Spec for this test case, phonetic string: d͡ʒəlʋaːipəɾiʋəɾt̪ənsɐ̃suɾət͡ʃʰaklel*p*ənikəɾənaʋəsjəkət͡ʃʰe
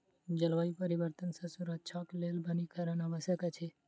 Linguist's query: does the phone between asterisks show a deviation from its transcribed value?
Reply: yes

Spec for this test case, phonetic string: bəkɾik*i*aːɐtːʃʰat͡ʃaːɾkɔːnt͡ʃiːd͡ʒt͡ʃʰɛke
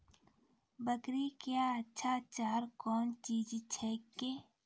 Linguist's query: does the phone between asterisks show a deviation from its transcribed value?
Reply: yes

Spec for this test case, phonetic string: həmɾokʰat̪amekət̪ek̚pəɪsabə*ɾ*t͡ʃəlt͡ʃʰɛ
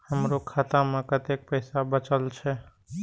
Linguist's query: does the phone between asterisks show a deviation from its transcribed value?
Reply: yes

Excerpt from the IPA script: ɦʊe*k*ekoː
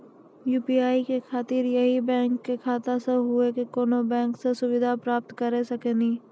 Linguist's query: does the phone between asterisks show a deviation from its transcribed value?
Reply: no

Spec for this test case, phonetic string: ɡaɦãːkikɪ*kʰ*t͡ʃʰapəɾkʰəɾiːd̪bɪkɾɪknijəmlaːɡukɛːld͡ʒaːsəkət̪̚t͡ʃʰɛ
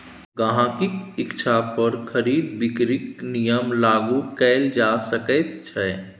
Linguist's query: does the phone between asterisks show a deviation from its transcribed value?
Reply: yes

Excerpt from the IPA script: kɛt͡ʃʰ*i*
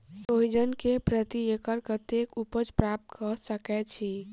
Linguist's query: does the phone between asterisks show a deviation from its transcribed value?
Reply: no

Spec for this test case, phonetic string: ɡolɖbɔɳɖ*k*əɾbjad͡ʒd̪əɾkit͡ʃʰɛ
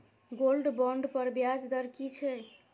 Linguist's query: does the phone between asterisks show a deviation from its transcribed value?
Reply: yes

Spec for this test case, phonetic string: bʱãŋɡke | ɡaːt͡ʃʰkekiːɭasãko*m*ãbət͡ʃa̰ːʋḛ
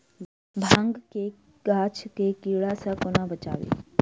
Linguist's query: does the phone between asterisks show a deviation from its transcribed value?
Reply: yes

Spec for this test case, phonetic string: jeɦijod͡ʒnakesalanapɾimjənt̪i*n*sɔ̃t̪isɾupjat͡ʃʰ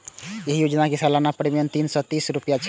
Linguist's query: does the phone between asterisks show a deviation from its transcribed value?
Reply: no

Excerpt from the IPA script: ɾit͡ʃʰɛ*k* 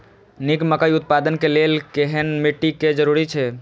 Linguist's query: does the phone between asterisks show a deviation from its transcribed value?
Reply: yes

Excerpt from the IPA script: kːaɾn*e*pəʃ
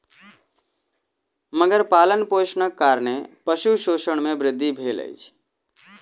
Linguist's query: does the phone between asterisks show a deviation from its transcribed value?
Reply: no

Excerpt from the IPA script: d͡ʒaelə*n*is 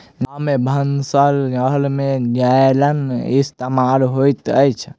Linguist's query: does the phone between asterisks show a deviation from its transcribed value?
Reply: no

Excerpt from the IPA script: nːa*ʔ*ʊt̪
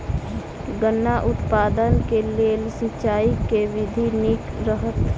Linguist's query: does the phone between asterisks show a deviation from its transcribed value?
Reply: no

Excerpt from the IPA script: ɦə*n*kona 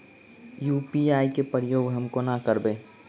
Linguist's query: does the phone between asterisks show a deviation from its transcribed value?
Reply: yes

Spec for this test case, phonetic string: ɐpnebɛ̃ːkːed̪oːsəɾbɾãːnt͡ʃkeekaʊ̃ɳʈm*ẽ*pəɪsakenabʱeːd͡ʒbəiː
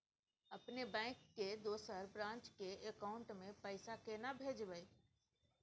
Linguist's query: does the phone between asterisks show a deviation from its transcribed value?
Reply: no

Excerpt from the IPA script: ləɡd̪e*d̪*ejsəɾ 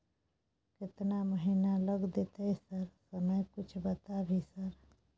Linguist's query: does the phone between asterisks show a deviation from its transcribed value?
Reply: yes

